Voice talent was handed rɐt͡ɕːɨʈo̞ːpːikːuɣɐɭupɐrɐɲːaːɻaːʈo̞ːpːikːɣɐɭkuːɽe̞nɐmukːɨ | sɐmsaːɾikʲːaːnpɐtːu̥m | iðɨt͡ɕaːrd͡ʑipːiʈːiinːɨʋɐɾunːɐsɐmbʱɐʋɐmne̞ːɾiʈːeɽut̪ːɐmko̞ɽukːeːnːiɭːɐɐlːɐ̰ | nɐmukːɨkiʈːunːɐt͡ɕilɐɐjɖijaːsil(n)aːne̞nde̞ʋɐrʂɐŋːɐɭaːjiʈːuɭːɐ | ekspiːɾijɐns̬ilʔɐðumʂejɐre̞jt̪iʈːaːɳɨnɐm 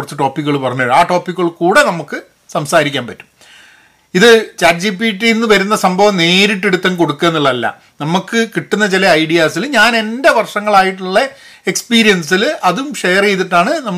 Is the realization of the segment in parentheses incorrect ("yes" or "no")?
yes